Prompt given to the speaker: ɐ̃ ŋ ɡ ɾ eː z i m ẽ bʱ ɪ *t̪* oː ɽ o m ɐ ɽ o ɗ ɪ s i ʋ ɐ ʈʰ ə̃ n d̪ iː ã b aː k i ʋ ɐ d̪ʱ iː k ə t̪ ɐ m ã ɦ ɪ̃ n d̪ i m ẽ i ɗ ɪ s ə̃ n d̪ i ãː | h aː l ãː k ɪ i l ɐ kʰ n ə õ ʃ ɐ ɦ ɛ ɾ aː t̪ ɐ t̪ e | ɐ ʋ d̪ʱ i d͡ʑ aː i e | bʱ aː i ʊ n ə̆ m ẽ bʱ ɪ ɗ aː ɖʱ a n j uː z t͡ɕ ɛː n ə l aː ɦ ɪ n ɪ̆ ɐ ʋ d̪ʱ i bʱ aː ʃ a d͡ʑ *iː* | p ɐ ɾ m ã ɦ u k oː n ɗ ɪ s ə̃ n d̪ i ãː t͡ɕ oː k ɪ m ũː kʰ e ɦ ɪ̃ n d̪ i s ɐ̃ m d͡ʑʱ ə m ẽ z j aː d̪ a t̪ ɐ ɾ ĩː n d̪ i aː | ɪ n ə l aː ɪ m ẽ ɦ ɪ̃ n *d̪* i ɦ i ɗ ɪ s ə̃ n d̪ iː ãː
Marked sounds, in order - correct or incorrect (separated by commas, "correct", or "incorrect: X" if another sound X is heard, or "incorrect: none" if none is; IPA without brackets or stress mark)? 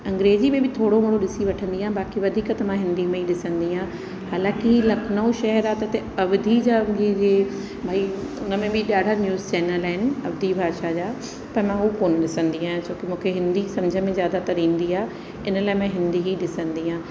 incorrect: t̪ʰ, incorrect: aː, correct